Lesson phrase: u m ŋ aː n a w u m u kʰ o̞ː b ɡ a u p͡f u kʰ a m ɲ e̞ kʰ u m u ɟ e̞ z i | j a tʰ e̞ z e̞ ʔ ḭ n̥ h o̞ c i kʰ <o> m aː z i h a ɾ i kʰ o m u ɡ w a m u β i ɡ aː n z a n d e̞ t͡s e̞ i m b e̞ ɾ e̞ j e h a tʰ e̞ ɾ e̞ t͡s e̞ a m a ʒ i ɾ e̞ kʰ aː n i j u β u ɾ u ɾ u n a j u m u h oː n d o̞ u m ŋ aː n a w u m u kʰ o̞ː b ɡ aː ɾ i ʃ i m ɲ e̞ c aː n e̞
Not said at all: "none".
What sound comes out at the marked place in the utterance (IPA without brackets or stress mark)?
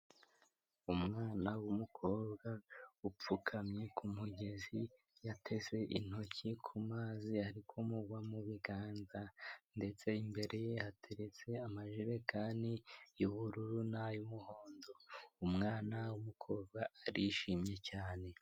u